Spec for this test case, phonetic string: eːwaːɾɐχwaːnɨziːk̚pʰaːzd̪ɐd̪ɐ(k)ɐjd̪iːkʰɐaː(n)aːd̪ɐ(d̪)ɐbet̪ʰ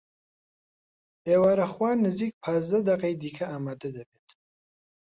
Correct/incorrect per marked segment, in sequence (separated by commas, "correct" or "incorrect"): incorrect, incorrect, correct